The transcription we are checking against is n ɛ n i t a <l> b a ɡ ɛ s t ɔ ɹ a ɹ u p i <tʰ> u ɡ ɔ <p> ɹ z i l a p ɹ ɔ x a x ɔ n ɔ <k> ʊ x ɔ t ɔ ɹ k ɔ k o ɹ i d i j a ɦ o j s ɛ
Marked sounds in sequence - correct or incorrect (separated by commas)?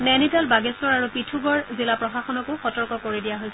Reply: correct, correct, incorrect, correct